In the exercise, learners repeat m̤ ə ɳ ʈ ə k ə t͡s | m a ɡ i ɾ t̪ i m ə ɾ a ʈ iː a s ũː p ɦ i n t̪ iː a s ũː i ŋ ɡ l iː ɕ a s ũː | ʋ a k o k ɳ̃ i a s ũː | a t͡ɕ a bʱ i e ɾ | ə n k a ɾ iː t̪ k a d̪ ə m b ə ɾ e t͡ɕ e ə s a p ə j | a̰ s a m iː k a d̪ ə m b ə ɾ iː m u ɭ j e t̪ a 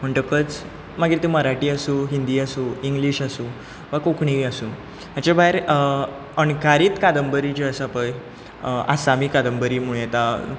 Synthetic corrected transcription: m̤ ə ɳ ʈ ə k ə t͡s | m a ɡ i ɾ t̪ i m ə ɾ a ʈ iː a s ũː ɦ i n d̪ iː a s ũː i ŋ ɡ l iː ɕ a s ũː | ʋ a k o k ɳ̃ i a s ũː | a t͡ɕ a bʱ a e ɾ | ə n k a ɾ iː t̪ k a d̪ ə m b ə ɾ i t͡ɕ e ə s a p ə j | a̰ s a m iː k a d̪ ə m b ə ɾ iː m u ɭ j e t̪ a